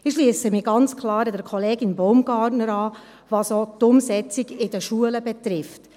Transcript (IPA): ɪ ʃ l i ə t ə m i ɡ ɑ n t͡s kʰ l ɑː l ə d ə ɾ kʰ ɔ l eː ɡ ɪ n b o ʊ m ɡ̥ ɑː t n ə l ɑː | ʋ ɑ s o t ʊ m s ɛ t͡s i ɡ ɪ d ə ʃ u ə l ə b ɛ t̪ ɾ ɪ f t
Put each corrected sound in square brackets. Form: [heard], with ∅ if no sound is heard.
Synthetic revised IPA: ɪ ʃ l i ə [s] ə m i ɡ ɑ n t͡s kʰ l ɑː [ɾ] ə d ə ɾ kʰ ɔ l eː ɡ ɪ n b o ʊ m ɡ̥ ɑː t n ə [ɾ] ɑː | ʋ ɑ s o t ʊ m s ɛ t͡s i ɡ ɪ d ə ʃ u ə l ə b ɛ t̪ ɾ ɪ f t